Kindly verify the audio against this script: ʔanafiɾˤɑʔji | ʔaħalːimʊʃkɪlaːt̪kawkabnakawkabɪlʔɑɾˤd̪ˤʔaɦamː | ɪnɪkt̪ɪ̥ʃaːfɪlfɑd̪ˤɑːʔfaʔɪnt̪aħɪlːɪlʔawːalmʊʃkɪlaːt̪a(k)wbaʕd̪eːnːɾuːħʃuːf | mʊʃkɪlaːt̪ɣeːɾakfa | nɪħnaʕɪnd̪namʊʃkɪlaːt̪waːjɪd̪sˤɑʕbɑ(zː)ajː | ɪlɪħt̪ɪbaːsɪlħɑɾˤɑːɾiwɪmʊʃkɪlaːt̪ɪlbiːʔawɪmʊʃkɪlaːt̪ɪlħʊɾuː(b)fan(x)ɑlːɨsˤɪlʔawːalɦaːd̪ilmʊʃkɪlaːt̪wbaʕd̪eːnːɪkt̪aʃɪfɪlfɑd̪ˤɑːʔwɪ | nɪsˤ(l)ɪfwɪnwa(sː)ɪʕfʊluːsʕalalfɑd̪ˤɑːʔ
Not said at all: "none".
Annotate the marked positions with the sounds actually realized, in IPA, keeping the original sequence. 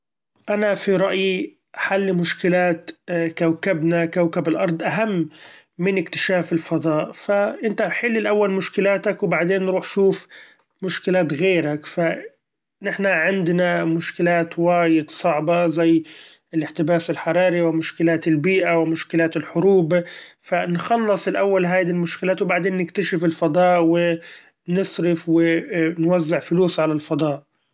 k, z, b, x, ɾ, zː

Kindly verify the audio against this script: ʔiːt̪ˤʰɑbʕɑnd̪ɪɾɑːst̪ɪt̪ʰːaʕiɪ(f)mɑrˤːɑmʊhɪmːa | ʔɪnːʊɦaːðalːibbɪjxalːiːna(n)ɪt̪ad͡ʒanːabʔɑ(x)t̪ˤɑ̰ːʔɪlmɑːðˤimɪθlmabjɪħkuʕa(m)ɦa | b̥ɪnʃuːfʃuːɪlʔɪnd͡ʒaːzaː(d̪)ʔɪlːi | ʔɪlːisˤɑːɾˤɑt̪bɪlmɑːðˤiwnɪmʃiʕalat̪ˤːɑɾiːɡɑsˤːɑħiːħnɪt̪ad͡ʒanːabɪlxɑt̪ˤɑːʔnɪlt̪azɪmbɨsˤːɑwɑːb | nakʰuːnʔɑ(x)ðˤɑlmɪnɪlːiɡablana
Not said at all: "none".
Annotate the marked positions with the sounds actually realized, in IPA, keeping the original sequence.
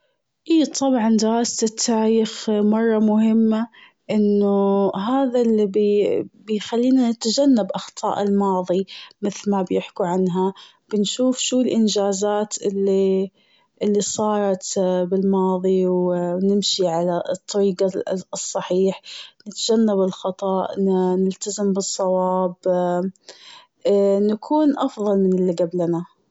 x, n, x, n, t̪, f

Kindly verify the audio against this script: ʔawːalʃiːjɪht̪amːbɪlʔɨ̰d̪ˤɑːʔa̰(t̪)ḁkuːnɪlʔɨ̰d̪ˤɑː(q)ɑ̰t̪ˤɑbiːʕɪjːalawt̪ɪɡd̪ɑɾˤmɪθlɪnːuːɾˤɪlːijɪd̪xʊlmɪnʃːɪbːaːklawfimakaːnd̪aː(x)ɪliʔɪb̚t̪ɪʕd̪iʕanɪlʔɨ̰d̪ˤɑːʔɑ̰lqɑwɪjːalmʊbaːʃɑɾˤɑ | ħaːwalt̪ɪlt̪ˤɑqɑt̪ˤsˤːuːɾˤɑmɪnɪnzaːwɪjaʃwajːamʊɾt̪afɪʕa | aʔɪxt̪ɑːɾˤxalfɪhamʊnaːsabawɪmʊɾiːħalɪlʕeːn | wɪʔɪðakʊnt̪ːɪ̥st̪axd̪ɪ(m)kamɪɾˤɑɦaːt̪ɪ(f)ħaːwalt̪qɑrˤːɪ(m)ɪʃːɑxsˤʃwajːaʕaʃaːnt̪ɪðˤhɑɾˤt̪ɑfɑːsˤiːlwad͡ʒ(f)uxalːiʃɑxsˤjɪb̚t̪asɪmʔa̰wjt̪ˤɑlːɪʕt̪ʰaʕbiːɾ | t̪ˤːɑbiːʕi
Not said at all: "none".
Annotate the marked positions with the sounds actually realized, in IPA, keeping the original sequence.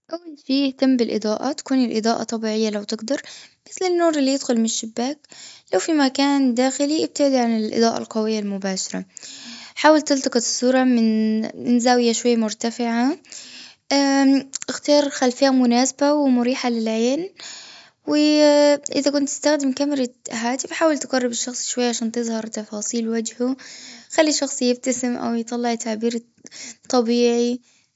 t̪, ʔ, x, m, f, b, h

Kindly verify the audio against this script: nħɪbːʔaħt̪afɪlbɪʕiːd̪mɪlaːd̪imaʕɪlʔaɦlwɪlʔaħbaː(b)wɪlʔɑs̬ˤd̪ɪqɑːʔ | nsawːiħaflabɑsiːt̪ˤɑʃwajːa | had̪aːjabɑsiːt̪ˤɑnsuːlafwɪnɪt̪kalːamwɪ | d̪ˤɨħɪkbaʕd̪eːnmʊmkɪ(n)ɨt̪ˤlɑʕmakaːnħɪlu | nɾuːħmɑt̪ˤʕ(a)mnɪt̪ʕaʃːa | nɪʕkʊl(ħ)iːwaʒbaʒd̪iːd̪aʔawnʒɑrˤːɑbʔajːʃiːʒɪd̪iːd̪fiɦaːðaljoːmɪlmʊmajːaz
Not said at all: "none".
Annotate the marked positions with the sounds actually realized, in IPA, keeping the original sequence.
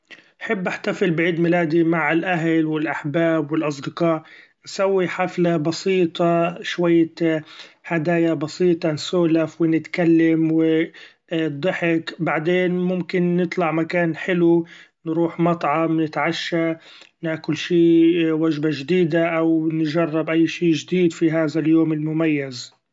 b, nː, ɑ, ʃ

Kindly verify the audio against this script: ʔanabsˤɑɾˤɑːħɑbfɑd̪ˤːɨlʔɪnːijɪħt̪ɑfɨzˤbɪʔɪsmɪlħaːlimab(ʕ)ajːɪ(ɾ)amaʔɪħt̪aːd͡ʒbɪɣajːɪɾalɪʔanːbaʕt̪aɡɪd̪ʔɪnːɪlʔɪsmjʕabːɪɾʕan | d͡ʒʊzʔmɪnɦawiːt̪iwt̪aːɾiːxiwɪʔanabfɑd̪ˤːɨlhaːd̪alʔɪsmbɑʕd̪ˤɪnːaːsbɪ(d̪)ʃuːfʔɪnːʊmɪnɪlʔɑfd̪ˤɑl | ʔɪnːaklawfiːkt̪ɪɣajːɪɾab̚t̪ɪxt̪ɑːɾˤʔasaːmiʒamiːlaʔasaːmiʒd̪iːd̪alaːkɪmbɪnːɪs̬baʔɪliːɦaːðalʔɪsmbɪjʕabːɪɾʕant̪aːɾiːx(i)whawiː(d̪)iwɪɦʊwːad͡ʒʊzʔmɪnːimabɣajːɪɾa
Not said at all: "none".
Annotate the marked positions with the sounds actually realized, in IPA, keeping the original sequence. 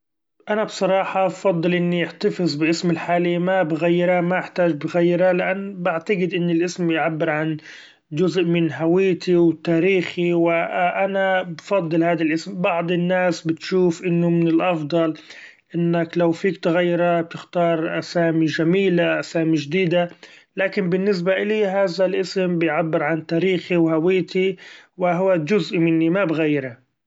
ɣ, ɾ, t̪, i, t̪

